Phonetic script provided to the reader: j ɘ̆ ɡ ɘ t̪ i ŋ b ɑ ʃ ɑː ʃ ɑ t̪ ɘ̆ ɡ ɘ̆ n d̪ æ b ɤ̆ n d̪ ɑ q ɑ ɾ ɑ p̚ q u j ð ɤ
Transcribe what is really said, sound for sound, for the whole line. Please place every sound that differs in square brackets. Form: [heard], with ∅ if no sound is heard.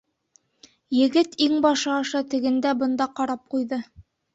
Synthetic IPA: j ɘ̆ ɡ ɘ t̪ i ŋ b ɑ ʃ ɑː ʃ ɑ t̪ ɘ̆ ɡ ɘ̆ n d̪ æ b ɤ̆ n d̪ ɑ q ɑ ɾ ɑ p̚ q u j ð ɤ